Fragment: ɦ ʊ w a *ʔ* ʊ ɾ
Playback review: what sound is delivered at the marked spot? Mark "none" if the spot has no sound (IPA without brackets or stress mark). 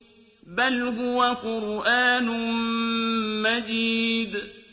q